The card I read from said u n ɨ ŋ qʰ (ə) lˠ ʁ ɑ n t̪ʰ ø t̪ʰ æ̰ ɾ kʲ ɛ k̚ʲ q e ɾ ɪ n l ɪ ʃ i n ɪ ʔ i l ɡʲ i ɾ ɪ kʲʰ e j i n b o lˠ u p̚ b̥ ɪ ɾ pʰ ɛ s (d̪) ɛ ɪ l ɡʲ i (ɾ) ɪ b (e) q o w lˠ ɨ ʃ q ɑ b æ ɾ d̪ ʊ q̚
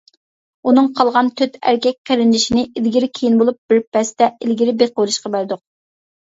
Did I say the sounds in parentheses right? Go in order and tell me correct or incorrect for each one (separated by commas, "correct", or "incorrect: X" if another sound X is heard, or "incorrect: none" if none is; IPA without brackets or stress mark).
incorrect: ɑ, incorrect: t̪, correct, correct